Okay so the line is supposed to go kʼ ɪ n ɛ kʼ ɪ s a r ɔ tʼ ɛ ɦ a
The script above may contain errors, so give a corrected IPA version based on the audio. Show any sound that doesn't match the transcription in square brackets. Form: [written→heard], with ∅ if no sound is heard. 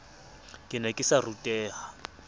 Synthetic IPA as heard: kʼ ɪ n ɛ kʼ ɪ s a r [ɔ→u] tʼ [ɛ→ɛː] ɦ a